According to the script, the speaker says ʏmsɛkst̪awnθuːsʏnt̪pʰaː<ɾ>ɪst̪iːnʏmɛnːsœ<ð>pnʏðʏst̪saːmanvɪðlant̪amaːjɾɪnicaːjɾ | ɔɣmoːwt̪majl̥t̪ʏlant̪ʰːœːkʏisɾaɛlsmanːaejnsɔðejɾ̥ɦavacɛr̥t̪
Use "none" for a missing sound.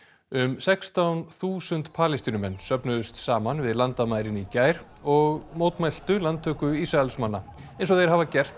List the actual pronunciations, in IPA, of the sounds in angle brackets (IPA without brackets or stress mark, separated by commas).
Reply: l, none